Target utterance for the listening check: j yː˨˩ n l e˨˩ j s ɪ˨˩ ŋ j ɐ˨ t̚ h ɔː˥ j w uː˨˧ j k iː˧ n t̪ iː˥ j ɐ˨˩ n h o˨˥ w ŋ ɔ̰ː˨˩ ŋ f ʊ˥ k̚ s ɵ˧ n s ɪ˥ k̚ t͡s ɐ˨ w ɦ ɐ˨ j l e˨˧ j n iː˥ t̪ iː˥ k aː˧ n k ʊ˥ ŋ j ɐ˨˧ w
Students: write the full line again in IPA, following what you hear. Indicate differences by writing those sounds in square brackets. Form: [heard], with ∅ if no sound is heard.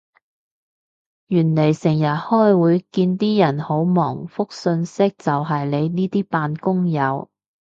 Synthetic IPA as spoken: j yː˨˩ n l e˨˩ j s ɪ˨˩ ŋ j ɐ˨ t̚ h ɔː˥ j w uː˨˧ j k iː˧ n t̪ iː˥ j ɐ˨˩ n h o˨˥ w [m] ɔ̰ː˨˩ ŋ f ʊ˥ k̚ s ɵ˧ n s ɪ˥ k̚ t͡s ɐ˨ w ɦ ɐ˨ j l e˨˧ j n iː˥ t̪ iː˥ [p] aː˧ n k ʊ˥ ŋ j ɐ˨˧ w